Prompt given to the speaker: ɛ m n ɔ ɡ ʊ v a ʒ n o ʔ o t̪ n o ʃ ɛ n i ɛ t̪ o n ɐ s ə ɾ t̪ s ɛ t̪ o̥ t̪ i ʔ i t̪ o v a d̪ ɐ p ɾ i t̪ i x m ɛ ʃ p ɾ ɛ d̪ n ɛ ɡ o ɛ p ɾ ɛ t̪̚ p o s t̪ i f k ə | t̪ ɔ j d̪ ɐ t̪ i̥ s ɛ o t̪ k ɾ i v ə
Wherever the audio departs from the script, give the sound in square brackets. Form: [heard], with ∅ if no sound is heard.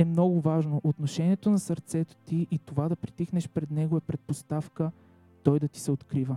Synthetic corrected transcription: ɛ m n ɔ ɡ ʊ v a ʒ n o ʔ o t̪ n o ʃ ɛ n i ɛ t̪ o n ɐ s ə ɾ t̪ s ɛ t̪ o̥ t̪ i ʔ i t̪ o v a d̪ ɐ p ɾ i t̪ i x [n] ɛ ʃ p ɾ ɛ d̪ n ɛ ɡ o ɛ p ɾ ɛ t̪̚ p o s t̪ [a] f k ə | t̪ ɔ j d̪ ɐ t̪ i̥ s ɛ o t̪ k ɾ i v ə